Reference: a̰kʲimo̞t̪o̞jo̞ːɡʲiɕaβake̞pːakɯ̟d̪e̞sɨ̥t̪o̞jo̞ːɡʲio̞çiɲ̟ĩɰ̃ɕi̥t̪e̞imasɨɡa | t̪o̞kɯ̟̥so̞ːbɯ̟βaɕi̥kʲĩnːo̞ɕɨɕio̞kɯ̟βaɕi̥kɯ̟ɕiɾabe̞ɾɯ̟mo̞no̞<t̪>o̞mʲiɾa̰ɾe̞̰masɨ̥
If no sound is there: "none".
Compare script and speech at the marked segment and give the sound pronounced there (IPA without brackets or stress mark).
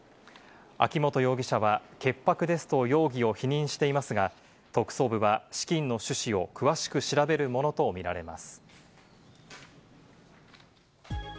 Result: t̪